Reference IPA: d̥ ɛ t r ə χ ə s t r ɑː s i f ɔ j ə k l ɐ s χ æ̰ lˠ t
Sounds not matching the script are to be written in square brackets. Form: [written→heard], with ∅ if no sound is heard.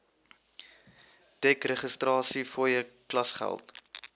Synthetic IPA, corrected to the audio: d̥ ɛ [t→k] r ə χ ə s t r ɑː s i f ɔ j ə k l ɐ s χ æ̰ lˠ t